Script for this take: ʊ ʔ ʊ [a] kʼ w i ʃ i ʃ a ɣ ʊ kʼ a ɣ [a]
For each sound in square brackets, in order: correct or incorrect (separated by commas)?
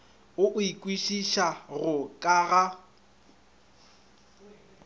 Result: incorrect, correct